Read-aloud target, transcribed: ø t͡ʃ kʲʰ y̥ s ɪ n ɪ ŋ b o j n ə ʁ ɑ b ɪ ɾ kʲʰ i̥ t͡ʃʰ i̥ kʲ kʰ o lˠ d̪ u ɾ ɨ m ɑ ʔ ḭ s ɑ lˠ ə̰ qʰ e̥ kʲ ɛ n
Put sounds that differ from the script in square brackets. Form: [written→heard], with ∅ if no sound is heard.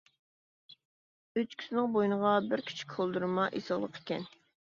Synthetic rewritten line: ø t͡ʃ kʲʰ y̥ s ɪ n ɪ ŋ b o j n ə ʁ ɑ b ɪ ɾ kʲʰ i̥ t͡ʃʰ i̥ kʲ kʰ o lˠ d̪ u ɾ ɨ m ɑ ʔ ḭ s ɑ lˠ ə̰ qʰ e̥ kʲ ɛ n